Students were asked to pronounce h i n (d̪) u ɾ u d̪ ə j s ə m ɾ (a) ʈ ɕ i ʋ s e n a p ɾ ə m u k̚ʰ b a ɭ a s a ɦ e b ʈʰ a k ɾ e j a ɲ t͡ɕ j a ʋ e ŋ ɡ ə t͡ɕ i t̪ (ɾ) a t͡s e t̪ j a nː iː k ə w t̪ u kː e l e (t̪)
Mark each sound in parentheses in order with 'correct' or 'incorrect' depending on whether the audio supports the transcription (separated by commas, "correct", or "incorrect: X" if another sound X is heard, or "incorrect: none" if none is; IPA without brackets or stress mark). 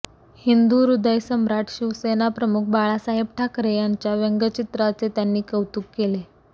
correct, correct, correct, incorrect: none